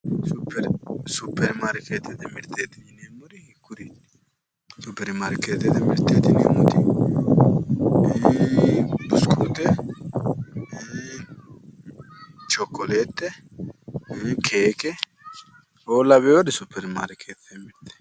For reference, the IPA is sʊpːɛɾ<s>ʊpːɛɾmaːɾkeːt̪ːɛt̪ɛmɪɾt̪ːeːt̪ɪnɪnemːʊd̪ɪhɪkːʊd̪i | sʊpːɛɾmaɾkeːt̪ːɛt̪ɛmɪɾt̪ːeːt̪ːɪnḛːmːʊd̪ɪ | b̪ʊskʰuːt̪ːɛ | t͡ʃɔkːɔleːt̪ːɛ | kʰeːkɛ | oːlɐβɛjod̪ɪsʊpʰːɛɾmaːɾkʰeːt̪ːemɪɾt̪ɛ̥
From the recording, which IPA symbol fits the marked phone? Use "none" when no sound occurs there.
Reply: s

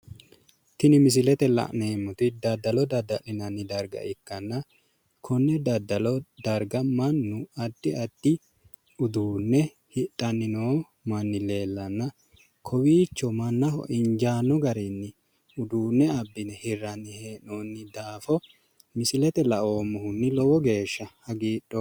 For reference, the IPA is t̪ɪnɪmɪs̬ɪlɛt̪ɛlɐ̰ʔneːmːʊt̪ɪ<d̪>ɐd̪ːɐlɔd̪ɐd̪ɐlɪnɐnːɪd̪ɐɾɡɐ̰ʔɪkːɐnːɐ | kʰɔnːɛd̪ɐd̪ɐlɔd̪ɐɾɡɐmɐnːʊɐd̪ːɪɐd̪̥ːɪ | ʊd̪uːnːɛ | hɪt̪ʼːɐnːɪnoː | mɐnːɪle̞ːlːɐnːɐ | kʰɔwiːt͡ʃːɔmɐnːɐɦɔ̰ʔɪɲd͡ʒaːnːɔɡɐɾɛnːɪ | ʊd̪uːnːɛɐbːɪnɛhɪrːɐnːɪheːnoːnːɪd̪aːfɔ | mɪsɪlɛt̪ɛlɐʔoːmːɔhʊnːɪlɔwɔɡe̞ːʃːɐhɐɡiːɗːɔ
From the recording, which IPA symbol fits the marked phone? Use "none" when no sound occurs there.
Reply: d̪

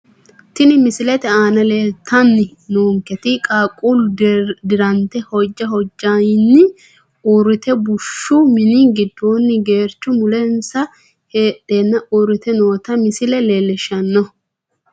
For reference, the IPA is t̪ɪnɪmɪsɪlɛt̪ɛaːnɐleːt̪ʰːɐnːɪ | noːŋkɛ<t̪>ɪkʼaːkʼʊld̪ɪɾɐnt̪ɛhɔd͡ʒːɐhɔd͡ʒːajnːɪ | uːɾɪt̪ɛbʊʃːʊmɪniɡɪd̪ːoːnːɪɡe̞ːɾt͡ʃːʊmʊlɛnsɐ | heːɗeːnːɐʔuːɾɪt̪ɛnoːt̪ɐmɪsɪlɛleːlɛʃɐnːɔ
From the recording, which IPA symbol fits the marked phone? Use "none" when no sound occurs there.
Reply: t̪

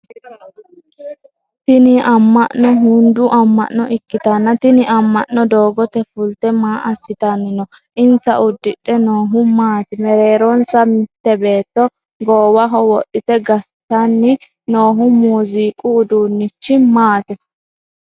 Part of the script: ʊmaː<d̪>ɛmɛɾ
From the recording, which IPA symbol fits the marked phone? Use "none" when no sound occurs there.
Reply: t̪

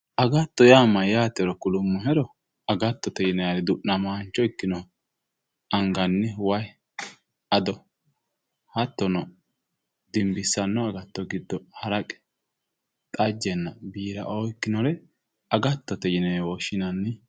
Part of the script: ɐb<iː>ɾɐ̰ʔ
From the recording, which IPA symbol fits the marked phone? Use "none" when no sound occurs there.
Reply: iː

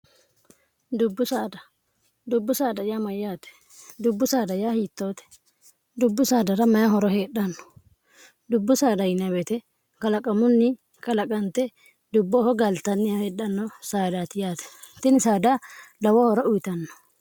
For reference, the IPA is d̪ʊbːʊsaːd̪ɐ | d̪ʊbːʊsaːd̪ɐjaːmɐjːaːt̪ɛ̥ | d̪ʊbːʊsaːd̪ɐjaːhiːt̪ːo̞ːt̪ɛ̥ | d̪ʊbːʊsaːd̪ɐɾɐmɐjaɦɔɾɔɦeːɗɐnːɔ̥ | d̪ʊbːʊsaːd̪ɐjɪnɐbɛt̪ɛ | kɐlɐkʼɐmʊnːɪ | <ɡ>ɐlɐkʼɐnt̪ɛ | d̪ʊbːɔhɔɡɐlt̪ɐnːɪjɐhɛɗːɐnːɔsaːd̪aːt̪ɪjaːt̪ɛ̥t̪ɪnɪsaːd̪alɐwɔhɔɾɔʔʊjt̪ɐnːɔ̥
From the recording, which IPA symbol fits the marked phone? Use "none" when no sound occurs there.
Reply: k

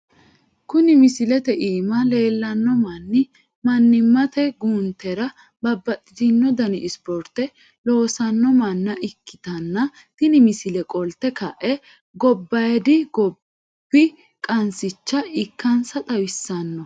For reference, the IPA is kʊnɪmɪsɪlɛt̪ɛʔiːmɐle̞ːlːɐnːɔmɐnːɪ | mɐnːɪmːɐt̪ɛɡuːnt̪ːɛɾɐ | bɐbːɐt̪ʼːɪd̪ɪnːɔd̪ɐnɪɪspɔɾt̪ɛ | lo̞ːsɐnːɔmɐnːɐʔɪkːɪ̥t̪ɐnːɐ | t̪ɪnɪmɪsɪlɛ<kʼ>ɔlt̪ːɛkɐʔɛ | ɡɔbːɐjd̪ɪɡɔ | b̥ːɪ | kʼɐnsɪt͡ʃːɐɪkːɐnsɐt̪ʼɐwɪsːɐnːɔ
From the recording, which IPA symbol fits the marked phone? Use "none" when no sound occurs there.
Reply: kʼ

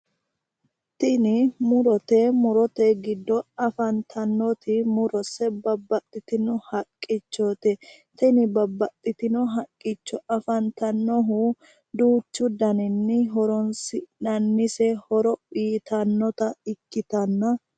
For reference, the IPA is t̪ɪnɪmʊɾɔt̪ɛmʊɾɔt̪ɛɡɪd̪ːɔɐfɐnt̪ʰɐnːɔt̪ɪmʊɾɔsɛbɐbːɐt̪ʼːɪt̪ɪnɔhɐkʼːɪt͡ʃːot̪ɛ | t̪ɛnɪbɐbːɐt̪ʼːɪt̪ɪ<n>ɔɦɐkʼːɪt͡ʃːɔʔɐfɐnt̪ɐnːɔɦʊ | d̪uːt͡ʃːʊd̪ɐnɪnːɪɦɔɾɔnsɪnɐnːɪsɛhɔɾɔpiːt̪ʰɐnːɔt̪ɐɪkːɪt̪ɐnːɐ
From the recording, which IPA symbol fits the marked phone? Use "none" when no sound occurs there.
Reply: n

